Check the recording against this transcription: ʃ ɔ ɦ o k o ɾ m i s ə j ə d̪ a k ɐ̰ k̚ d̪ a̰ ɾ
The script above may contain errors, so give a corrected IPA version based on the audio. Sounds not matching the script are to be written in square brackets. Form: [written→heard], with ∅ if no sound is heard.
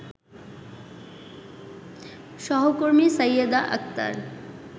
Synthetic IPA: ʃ ɔ ɦ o k o ɾ m i s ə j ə d̪ a [k→ʔ] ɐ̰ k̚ [d̪→t̪] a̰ ɾ